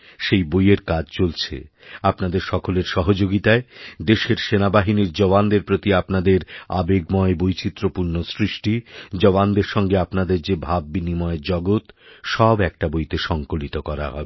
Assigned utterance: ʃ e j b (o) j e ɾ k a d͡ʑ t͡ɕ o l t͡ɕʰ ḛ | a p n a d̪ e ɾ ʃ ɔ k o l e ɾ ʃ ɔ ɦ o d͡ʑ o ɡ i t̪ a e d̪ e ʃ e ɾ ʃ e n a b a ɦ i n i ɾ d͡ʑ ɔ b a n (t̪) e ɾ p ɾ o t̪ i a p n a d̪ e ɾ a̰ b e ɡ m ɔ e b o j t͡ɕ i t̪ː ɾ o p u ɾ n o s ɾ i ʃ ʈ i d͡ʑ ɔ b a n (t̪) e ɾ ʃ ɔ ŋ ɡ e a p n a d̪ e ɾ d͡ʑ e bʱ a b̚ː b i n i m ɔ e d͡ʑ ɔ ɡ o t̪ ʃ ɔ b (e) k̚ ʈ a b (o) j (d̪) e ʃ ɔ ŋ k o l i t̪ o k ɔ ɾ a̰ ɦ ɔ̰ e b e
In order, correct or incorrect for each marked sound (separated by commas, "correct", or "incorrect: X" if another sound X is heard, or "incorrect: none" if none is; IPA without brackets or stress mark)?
correct, incorrect: d̪, incorrect: d̪, incorrect: ɛ, correct, incorrect: t̪